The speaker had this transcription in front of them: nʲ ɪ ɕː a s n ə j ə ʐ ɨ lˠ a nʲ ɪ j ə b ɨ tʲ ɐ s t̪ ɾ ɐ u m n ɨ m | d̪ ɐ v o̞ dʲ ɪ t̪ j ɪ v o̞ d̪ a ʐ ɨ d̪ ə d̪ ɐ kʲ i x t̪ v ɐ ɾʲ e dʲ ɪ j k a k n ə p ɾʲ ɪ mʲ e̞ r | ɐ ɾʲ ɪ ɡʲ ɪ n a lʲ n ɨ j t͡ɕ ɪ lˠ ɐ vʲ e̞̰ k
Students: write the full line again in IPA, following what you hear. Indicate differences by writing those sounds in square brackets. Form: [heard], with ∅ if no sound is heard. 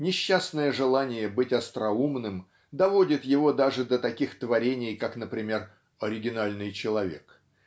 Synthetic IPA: nʲ ɪ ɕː a s n ə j ə ʐ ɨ lˠ a nʲ ɪ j ə b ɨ tʲ ɐ s t̪ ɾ ɐ u m n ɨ m | d̪ ɐ v o̞ dʲ ɪ t̪ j ɪ v o̞ d̪ a ʐ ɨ d̪ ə [t̪] ɐ kʲ i x t̪ v ɐ ɾʲ e [nʲ] ɪ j k a k n ə p ɾʲ ɪ mʲ e̞ r | ɐ ɾʲ ɪ ɡʲ ɪ n a lʲ n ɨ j t͡ɕ ɪ lˠ ɐ vʲ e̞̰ k